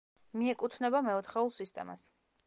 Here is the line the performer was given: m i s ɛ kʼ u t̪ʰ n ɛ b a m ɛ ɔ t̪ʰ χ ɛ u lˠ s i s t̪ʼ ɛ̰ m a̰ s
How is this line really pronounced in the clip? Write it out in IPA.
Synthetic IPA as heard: m i ɛ kʼ u t̪ʰ n ɛ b a m ɛ ɔ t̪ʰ χ ɛ u lˠ s i s t̪ʼ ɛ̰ m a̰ s